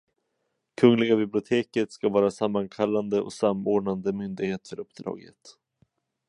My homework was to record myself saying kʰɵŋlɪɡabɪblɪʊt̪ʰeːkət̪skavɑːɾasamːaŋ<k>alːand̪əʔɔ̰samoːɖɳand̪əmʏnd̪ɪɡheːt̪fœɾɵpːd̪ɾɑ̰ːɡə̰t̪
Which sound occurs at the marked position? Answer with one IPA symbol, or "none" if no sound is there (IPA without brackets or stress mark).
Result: kʰ